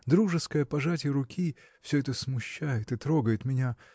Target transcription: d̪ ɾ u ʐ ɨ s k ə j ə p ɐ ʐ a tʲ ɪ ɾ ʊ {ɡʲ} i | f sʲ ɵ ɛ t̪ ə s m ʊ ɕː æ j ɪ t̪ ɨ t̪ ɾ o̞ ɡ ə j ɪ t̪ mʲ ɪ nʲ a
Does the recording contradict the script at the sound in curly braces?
yes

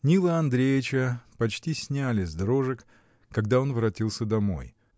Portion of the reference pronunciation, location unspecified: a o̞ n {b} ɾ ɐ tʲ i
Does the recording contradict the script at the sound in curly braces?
yes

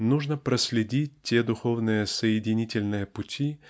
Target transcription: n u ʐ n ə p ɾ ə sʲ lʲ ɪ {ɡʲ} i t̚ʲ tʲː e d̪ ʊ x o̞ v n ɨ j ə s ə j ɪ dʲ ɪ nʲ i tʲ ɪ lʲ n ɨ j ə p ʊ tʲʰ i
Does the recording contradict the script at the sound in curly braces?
yes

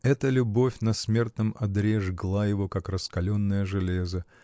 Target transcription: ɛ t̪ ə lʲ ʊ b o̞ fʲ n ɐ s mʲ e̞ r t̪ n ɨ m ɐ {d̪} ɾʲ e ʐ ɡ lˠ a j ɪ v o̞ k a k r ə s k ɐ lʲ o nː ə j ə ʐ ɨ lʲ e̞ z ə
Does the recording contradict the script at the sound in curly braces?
no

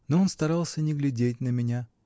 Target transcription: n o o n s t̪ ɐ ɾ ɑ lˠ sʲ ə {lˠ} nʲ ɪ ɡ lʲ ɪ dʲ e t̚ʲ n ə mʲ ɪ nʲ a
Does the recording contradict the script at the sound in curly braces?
yes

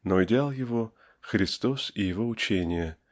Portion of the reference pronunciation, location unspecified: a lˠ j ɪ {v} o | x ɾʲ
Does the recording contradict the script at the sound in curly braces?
no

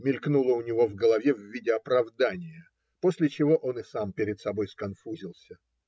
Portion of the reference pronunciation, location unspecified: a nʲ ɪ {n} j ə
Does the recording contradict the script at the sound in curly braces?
yes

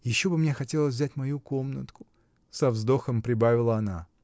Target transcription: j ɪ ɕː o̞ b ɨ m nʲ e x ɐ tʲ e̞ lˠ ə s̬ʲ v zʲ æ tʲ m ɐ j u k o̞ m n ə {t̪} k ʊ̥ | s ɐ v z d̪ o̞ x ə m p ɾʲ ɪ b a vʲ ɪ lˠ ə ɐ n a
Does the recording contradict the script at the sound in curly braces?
no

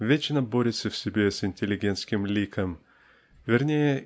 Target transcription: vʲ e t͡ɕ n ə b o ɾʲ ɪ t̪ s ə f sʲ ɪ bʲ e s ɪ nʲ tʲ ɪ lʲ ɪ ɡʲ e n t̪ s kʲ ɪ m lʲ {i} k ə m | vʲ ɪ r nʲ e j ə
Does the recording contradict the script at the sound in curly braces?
no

